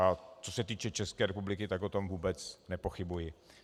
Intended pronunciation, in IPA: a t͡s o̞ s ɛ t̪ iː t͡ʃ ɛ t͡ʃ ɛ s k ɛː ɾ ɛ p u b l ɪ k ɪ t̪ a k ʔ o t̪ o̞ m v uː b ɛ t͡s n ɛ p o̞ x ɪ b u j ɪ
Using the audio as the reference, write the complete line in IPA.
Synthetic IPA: a t͡s o̞ s ɛ t̪ iː t͡ʃ ɛ t͡ʃ ɛ s k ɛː ɾ ɛ p u b l ɪ k ɪ t̪ a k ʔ o t̪ o̞ m v uː b ɛ t͡s n ɛ p o̞ x ɪ b u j ɪ